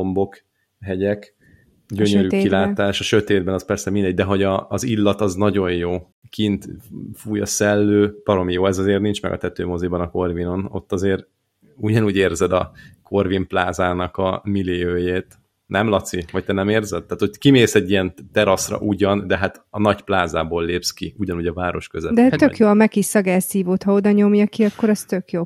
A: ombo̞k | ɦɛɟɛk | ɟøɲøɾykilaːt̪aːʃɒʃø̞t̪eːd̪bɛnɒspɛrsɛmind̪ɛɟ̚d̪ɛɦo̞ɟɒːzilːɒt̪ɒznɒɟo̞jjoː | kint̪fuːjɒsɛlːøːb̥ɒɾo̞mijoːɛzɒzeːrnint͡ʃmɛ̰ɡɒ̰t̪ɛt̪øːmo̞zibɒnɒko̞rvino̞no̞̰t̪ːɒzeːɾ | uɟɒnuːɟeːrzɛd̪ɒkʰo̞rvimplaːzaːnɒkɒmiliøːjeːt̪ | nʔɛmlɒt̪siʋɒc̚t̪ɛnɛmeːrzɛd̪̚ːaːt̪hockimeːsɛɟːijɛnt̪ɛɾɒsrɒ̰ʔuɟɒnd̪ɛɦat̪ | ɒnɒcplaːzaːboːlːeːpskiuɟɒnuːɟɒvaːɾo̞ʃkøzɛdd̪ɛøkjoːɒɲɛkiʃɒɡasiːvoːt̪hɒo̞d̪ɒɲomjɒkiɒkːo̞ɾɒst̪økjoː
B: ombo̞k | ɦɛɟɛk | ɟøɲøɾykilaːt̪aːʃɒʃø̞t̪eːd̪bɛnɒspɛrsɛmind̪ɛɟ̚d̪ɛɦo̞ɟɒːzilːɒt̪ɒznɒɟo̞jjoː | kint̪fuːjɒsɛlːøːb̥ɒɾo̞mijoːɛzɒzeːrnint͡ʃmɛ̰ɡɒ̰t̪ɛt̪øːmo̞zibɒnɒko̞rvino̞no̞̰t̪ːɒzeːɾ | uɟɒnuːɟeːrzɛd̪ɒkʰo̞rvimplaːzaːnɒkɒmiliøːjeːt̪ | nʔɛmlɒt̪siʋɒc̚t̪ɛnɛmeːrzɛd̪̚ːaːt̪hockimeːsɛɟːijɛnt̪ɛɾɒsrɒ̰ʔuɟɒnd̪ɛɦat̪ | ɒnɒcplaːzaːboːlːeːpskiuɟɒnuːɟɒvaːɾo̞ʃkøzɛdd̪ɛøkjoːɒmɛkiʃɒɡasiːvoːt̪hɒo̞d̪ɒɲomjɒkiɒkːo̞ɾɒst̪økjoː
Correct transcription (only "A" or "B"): B